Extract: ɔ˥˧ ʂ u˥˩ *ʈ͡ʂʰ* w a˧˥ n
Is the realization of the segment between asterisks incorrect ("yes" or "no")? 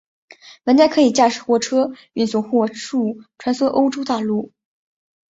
no